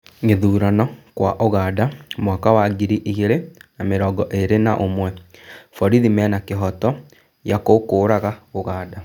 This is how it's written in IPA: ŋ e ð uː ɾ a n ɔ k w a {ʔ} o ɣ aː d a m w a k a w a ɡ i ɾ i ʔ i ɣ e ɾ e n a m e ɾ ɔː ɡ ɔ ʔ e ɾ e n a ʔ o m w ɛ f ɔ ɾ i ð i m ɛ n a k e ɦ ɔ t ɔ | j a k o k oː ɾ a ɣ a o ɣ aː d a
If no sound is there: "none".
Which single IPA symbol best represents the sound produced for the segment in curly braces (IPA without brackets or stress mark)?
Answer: ʔ